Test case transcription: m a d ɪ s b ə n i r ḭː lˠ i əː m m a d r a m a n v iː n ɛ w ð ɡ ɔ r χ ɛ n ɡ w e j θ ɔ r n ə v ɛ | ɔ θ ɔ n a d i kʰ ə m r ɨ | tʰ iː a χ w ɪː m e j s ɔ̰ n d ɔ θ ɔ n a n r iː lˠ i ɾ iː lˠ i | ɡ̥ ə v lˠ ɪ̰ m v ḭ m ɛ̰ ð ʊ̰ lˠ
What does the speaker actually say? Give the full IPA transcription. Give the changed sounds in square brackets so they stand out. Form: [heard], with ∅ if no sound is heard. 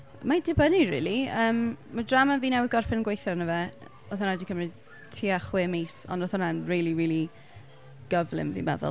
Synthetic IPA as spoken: m a d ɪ [∅] b ə n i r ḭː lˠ i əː m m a d r a m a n v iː n ɛ w ð ɡ ɔ r [f] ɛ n ɡ w e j θ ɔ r n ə v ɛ | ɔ θ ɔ n a d i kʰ ə m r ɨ | tʰ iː a χ w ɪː m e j s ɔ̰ n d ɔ θ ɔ n a n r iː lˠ i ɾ iː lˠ i | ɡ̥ ə v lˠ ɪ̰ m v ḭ m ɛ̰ ð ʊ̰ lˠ